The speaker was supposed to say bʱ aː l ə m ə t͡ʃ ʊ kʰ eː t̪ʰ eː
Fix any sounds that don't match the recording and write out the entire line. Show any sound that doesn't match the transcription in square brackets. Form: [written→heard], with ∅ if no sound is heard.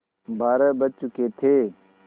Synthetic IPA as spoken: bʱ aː [l→ɾ] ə [m→b] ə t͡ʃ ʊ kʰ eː t̪ʰ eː

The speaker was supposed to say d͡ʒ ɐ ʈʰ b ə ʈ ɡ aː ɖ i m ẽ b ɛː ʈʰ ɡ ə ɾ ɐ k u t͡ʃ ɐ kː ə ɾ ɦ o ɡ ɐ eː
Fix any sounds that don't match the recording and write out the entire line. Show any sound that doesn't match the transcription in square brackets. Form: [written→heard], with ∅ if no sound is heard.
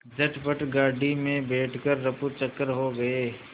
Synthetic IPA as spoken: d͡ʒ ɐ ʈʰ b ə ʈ ɡ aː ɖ i m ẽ b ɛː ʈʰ [ɡ→k] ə [ɾ→ɾː] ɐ [k→p] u t͡ʃ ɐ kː ə ɾ ɦ o ɡ ɐ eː

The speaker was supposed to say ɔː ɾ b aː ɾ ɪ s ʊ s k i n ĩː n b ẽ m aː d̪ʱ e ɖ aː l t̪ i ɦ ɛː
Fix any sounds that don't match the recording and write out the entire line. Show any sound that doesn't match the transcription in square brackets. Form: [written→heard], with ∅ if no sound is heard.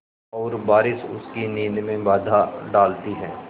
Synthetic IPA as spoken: ɔː ɾ b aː ɾ ɪ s ʊ s k i n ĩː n [b→m] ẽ [m→b] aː d̪ʱ [e→a] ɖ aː l t̪ i ɦ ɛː

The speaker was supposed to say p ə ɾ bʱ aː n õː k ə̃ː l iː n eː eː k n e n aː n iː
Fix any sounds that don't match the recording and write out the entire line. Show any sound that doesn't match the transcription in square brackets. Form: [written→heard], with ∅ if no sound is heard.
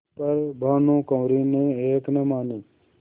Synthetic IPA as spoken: p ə ɾ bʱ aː n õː k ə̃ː [l→ɾ] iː n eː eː k n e [n→m] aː n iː

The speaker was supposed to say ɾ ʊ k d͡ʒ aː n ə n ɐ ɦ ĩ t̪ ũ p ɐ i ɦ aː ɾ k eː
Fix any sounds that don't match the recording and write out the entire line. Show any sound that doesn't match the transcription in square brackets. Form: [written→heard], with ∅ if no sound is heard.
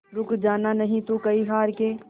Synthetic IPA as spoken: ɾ ʊ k d͡ʒ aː n [ə→a] n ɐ ɦ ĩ t̪ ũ [p→k] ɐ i ɦ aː ɾ k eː

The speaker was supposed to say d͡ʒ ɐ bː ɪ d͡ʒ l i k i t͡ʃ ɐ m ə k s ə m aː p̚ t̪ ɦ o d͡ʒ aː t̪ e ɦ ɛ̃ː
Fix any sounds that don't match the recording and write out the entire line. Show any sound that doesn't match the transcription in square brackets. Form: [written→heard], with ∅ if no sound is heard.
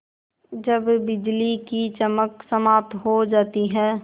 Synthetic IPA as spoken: d͡ʒ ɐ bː ɪ d͡ʒ l i k i t͡ʃ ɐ m ə k s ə m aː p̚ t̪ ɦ o d͡ʒ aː t̪ [e→i] ɦ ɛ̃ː

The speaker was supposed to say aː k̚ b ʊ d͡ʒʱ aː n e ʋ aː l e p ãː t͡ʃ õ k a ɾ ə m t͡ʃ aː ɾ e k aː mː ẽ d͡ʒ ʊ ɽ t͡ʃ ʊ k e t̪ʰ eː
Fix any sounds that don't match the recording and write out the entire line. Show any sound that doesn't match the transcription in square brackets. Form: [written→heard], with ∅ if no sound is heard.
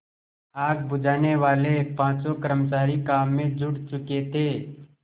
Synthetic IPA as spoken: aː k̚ b ʊ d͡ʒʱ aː n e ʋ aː l e p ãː t͡ʃ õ k [a→ə] ɾ ə m t͡ʃ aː ɾ [e→i] k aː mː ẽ d͡ʒ ʊ ɽ t͡ʃ ʊ k e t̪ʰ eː

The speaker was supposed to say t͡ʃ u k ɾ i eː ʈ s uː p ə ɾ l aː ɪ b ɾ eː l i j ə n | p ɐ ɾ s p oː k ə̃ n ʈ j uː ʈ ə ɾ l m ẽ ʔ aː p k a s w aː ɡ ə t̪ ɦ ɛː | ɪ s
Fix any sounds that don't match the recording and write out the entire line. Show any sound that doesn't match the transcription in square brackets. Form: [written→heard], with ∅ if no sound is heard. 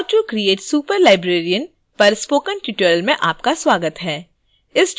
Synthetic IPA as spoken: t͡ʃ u k ɾ i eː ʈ s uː p ə ɾ l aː ɪ b ɾ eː [l→ɾ] i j ə n | p ɐ ɾ s p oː k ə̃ n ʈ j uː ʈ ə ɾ l m ẽ ʔ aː p k a s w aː ɡ ə t̪ ɦ ɛː | ɪ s

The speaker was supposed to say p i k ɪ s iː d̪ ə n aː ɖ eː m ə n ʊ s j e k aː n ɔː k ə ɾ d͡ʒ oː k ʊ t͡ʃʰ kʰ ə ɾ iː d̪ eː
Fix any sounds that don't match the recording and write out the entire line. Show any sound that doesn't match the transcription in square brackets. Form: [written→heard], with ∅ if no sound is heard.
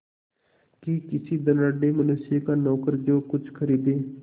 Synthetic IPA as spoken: [p→k] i k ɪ s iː d̪ ə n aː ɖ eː m ə n ʊ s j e k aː n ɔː k ə ɾ d͡ʒ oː k ʊ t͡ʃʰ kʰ ə ɾ iː d̪ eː

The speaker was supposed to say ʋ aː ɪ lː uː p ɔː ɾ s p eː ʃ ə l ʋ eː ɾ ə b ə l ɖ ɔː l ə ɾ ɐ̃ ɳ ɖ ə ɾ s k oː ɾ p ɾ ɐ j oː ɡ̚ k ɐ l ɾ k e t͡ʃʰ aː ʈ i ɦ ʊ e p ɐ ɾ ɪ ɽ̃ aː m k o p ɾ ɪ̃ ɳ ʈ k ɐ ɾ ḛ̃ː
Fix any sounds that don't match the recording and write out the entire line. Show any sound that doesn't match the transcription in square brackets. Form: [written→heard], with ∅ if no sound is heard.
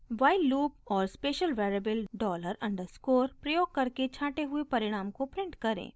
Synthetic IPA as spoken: ʋ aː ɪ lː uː p ɔː ɾ s p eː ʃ ə l ʋ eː ɾ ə b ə l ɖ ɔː l ə ɾ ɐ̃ ɳ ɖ ə ɾ s k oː ɾ p ɾ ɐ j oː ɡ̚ k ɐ [l→∅] ɾ k e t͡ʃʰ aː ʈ [i→e] ɦ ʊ e p ɐ ɾ ɪ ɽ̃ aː m k o p ɾ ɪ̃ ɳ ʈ k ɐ ɾ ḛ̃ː

